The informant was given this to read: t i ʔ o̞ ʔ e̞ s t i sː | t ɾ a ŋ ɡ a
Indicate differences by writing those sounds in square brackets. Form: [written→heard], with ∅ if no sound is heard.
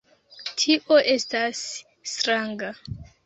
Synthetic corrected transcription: [t→tʰ] i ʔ o̞ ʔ e̞ s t [i→a] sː | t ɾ a ŋ ɡ a